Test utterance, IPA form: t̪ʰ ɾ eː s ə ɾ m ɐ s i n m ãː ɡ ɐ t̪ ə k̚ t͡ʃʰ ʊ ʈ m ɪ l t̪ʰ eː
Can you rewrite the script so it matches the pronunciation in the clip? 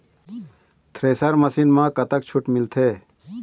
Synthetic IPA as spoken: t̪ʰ ɾ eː s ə ɾ m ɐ s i n m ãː k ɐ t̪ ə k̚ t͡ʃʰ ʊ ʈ m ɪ l t̪ʰ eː